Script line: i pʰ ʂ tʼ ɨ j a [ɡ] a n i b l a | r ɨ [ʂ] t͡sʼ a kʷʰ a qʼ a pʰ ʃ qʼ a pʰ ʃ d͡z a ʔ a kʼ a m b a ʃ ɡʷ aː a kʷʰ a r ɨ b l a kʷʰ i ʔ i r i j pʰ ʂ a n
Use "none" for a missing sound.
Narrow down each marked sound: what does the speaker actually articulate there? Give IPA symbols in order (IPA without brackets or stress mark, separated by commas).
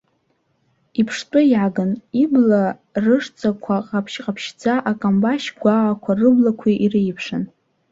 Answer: ɡ, ʂ